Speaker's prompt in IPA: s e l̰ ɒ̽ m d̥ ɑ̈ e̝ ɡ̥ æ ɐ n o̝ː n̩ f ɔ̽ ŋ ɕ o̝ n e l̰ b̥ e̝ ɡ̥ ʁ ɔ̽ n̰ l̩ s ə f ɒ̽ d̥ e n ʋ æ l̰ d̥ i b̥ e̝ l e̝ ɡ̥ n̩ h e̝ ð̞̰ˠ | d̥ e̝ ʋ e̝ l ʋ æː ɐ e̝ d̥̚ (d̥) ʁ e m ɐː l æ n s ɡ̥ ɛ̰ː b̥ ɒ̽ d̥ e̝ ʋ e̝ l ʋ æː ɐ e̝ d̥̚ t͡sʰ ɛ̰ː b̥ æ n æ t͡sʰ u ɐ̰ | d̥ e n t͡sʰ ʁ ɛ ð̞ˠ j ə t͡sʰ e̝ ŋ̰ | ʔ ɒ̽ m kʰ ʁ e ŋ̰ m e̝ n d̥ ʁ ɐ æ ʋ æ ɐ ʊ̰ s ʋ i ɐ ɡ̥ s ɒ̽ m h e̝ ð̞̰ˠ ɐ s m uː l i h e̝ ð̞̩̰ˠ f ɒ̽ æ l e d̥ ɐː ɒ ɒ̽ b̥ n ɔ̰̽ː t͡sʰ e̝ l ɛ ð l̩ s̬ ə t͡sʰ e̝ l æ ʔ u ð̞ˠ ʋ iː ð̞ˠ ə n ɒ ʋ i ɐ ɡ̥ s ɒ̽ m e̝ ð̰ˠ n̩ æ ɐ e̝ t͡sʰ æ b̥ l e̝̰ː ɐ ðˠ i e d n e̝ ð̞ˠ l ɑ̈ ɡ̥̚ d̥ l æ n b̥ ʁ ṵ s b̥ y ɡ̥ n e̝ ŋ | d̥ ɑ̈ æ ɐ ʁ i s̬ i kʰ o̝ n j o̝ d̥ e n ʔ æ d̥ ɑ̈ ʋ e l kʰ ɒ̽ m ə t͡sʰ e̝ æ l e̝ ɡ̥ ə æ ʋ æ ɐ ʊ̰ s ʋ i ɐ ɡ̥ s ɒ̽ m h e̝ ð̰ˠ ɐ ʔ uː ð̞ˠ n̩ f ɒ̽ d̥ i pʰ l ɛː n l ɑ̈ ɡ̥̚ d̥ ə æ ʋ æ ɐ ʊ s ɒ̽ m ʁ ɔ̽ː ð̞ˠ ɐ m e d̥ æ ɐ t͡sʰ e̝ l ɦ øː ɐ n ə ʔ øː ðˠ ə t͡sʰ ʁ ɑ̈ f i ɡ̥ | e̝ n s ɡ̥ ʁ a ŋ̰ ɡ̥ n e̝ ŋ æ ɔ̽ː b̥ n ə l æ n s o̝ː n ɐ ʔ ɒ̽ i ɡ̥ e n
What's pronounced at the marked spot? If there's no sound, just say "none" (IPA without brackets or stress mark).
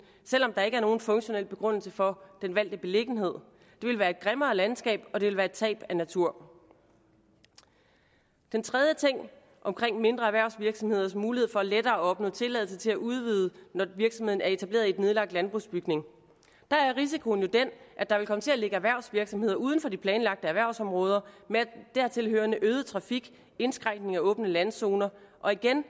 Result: ɡ̥